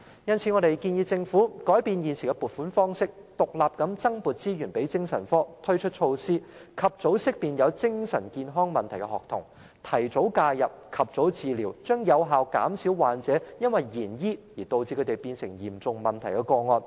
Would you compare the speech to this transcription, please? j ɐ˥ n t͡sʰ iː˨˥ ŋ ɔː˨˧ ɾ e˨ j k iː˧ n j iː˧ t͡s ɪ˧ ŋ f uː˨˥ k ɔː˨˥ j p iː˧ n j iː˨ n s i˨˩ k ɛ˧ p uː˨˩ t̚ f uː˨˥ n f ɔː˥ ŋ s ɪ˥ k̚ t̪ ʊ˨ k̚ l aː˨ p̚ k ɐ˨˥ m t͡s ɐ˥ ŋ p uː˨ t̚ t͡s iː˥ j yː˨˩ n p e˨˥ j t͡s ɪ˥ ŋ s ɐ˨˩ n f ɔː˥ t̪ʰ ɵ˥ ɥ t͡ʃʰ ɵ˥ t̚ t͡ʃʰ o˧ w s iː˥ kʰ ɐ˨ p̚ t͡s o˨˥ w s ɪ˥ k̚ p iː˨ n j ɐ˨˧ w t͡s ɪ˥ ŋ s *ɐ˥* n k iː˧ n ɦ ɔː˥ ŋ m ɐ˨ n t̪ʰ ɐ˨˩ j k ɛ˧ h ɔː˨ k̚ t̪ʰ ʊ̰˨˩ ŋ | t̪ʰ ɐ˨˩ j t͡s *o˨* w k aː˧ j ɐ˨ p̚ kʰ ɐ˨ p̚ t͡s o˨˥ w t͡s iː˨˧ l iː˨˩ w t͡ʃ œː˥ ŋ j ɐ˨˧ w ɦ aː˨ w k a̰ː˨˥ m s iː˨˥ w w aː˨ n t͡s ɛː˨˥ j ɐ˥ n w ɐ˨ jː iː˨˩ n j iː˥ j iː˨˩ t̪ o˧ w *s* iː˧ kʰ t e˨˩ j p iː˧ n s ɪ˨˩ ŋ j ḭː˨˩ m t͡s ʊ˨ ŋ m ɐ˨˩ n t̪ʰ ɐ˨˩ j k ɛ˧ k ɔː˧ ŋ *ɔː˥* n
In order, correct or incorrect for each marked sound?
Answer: incorrect: ɐ˨˩, incorrect: o˨˥, incorrect: t͡s, incorrect: ɔː˧

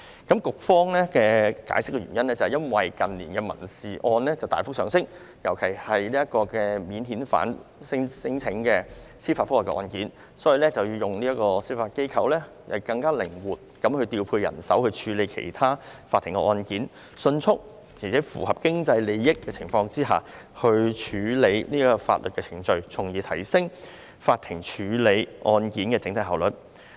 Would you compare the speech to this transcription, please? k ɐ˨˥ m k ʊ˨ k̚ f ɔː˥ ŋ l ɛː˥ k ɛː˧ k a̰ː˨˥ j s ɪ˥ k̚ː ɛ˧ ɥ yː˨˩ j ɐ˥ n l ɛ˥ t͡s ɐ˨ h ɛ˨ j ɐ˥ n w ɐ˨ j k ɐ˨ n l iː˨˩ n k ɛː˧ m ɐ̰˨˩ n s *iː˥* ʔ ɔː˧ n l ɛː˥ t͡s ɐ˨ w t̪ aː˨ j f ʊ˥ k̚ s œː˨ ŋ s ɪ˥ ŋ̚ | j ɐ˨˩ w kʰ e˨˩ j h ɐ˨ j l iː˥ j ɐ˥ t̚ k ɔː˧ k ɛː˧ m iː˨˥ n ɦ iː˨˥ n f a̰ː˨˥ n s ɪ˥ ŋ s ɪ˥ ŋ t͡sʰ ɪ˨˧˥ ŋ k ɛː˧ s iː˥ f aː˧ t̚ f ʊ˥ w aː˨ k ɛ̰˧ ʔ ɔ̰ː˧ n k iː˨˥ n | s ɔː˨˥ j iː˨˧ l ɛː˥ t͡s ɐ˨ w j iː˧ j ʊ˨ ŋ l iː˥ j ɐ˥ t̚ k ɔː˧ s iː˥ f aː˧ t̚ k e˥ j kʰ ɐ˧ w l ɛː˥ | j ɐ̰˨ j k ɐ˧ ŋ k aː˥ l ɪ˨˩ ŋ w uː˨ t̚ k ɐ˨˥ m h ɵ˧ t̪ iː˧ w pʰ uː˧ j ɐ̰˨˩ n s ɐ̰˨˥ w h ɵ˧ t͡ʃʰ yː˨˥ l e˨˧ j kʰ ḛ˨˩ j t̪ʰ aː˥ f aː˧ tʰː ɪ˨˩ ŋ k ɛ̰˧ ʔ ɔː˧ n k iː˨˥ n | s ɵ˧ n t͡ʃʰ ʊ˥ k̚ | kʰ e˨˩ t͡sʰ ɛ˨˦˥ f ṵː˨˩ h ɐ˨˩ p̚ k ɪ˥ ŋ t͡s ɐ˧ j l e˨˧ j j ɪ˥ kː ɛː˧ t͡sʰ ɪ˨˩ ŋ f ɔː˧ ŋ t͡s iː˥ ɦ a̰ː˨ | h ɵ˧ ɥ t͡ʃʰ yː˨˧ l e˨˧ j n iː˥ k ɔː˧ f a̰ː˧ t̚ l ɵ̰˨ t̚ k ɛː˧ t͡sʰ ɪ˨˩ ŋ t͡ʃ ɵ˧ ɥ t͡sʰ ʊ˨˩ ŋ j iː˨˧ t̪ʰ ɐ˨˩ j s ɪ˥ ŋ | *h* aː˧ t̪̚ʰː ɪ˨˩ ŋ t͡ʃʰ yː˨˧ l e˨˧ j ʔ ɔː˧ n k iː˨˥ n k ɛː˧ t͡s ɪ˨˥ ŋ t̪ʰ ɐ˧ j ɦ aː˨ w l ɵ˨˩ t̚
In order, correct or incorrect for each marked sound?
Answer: incorrect: iː˨, incorrect: f

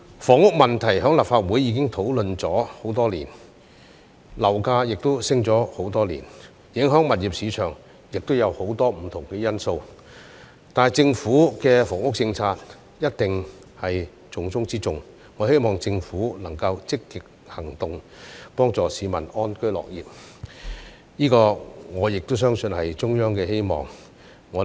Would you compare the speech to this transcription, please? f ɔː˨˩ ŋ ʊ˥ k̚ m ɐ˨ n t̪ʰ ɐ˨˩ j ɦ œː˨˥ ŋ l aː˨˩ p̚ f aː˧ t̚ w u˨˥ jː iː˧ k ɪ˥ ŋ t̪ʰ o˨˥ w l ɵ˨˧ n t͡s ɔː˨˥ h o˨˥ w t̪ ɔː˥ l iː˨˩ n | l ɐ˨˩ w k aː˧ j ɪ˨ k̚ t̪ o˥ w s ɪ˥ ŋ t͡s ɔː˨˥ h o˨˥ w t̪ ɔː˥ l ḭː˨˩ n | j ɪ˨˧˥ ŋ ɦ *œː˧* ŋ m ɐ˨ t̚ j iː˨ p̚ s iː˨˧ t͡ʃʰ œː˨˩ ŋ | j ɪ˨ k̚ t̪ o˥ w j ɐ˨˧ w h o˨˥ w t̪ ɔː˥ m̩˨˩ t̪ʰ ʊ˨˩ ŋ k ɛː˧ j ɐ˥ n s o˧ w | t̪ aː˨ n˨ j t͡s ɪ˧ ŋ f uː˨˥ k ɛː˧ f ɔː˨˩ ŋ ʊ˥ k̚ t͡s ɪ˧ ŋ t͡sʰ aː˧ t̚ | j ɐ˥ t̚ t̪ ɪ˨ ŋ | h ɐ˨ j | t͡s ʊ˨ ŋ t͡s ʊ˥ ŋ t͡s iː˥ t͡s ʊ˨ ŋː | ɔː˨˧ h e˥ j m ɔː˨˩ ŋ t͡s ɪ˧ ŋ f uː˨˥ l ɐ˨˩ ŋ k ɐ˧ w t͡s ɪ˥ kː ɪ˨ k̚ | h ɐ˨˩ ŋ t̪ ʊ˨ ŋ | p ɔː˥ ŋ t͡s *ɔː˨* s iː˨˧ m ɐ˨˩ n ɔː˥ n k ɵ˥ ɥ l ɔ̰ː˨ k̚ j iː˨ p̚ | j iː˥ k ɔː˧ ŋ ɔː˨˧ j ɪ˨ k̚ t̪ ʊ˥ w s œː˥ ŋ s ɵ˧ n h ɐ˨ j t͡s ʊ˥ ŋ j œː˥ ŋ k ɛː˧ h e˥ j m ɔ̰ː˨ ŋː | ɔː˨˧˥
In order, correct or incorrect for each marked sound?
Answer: incorrect: œː˨˥, correct

